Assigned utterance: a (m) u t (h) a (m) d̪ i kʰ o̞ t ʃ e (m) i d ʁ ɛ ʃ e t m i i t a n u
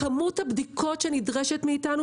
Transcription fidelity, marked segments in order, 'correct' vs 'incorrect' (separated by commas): correct, correct, incorrect, incorrect